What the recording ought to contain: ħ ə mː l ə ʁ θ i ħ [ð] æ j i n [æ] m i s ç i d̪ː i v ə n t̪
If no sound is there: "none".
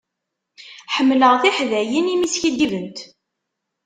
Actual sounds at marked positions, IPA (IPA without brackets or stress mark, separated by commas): ð, i